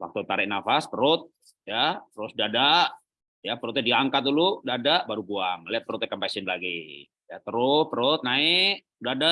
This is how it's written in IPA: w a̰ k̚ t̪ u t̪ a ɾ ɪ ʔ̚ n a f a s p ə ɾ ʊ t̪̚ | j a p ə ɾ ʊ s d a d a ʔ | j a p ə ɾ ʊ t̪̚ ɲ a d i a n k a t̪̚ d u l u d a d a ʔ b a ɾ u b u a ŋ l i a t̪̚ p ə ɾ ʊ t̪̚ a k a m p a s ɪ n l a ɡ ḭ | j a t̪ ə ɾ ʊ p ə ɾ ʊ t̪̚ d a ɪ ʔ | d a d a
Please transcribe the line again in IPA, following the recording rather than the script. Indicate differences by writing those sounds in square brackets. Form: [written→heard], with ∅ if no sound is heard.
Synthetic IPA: w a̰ k̚ t̪ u t̪ a ɾ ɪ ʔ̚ n a f a s p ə ɾ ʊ t̪̚ | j a p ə ɾ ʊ s d a d a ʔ | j a p ə ɾ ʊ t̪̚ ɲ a d i a [n→ŋ] k a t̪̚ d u l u d a d a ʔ b a ɾ u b u a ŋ l i a t̪̚ p ə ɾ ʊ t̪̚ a k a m p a s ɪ n l a ɡ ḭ | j a t̪ ə ɾ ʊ p ə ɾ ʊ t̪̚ [d→n] a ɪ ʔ | d a d a